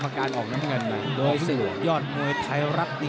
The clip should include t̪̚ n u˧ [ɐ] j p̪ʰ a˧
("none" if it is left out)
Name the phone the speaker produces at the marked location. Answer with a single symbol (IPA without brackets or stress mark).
ə